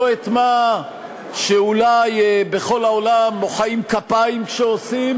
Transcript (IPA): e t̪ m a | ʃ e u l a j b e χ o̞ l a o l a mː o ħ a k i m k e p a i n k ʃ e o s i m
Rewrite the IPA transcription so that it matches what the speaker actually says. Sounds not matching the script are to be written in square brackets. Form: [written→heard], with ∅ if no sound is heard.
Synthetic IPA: e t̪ m a | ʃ e u l a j b e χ o̞ l a o l a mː o [ħ→χ] a [k→∅] i m k [e→a] p a i [n→m] k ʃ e o s i m